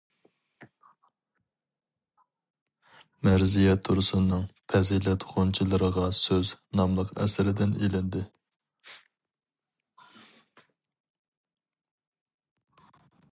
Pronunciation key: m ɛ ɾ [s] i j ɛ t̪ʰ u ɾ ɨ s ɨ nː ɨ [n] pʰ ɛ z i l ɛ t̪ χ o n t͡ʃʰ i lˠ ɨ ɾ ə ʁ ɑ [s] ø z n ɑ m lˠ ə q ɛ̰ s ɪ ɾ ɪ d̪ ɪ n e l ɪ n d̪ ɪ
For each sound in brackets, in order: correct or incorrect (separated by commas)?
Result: incorrect, incorrect, correct